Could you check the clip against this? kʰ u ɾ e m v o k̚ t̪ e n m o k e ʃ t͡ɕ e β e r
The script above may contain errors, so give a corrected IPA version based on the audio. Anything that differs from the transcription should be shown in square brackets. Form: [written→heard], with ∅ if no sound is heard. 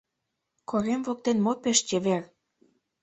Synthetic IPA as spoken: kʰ [u→o] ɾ e m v o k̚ t̪ e n m o [k→p] e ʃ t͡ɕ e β e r